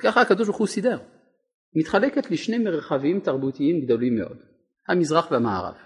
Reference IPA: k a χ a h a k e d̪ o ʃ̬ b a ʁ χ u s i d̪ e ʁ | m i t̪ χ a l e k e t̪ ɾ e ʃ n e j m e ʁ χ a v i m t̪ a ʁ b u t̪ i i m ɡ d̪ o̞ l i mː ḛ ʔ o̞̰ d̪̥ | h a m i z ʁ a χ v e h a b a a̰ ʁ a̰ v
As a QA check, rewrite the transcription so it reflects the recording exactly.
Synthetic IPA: k a χ a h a k a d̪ o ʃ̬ b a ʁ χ u s i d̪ e ʁ | m i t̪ χ a l e k e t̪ l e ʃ n e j m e ʁ χ a v i m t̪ a ʁ b u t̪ i i m ɡ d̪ o̞ l i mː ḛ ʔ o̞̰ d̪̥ | h a m i z ʁ a χ v e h a m a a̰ ʁ a̰ v